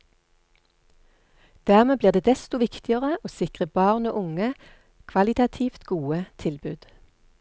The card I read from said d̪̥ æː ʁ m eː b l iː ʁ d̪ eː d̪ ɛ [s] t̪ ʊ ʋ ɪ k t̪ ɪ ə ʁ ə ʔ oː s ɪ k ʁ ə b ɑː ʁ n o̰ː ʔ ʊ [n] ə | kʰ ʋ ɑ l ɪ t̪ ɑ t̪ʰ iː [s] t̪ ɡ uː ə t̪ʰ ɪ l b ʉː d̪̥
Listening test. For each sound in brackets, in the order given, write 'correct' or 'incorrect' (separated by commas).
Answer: correct, incorrect, incorrect